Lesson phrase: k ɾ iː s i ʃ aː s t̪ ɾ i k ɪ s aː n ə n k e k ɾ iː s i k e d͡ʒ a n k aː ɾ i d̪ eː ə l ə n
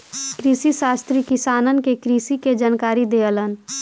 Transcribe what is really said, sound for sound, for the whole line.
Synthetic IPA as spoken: k ɾ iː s i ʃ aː s t̪ ɾ i k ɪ s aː n ə n k e k ɾ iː s i k e d͡ʒ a n k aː ɾ i d̪ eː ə l ə n